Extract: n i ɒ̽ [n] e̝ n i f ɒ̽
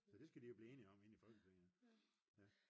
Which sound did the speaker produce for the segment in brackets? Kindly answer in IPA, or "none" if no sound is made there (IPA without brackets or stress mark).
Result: m